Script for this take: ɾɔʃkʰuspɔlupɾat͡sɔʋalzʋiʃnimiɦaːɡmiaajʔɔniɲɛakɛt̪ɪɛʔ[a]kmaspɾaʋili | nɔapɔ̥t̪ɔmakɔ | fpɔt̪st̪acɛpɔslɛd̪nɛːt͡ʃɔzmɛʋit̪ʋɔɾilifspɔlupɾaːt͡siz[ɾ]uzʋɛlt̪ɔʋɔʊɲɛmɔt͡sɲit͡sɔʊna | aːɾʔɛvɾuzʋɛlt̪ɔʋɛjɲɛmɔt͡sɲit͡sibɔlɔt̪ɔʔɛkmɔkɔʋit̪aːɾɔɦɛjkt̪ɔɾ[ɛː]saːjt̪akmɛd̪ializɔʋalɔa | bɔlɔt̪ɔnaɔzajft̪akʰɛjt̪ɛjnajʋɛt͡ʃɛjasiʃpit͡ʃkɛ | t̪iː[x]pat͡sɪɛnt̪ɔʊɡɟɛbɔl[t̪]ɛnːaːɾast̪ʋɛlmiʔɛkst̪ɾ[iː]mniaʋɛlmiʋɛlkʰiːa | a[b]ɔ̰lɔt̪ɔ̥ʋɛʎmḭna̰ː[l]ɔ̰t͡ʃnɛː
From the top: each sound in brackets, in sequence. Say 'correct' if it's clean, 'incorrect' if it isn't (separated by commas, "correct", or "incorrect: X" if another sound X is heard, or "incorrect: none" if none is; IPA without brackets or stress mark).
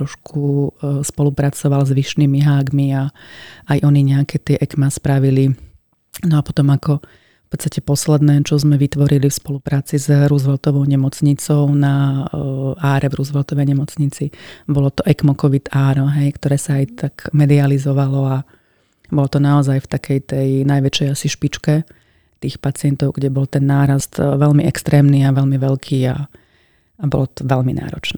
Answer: incorrect: ɛ, correct, correct, correct, correct, incorrect: ɛː, correct, incorrect: ɾ